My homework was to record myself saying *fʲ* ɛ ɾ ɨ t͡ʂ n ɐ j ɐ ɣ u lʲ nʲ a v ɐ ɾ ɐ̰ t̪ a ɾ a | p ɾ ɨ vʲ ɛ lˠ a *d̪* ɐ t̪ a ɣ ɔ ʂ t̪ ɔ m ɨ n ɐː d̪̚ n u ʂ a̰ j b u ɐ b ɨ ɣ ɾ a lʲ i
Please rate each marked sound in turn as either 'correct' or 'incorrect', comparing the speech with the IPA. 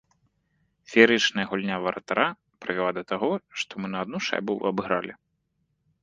correct, correct

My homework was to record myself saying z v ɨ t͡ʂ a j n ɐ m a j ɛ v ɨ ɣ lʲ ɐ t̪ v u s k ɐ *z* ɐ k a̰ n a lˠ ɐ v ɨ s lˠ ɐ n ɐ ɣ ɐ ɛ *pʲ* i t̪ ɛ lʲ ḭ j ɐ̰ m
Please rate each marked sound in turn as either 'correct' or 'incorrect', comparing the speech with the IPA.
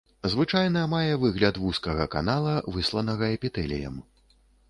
incorrect: ɣ, correct

